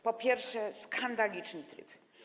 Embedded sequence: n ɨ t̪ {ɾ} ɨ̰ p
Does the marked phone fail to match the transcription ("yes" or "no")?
no